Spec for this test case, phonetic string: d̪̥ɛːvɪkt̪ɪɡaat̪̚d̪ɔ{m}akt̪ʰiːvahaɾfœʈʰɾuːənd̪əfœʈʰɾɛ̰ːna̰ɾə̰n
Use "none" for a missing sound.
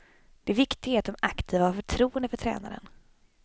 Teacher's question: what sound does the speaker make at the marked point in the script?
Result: m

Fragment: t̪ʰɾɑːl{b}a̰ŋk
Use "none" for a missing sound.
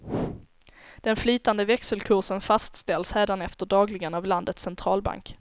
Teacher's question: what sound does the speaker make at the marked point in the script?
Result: b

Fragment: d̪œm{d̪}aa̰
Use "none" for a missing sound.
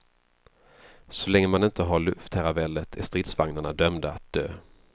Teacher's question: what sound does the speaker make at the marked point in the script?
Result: d̪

